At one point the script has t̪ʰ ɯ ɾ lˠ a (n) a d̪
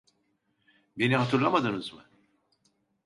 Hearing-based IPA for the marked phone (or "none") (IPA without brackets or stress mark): m